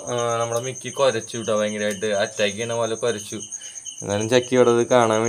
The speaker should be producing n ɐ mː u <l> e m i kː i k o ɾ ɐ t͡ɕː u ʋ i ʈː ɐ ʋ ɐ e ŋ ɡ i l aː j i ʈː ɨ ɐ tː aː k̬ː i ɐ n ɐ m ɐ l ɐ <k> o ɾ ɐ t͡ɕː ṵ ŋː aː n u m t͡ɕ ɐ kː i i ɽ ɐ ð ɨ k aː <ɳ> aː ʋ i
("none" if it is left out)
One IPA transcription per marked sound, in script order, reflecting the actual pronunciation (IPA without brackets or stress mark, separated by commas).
ɽ, k, ɳ